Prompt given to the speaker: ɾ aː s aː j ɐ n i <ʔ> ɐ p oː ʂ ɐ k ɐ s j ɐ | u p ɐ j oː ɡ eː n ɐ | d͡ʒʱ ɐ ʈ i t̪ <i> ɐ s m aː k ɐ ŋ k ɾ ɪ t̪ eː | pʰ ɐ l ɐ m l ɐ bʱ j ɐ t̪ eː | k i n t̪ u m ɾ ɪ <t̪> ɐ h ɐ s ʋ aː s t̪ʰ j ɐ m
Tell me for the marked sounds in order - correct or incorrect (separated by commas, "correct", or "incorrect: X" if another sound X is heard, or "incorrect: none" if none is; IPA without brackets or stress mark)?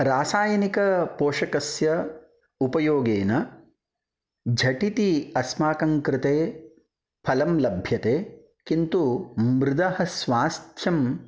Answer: incorrect: k, correct, incorrect: d̪